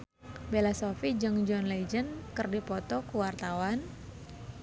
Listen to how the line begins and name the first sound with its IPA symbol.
b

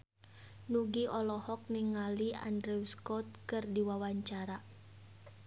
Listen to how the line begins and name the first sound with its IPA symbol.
n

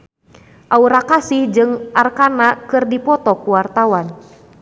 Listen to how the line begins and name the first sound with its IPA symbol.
ʔ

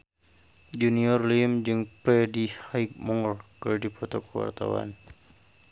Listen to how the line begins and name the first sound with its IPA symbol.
d͡ʒ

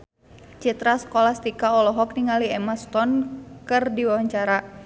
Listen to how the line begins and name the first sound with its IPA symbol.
t͡ʃ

